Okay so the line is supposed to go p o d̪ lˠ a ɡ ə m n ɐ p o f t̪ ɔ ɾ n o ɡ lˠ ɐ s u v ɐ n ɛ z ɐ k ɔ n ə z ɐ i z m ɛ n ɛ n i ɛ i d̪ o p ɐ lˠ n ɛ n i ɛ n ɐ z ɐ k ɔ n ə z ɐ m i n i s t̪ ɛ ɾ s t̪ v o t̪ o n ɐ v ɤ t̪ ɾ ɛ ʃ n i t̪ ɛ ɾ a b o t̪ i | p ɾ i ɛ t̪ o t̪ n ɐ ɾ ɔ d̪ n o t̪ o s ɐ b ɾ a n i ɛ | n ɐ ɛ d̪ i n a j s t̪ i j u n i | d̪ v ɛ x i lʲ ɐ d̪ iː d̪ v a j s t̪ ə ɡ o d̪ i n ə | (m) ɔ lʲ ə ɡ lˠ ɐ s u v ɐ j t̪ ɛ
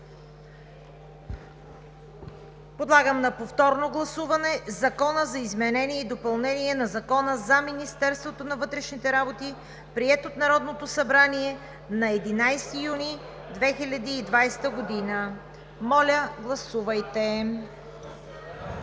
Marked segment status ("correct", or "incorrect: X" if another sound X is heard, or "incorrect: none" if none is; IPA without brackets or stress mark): correct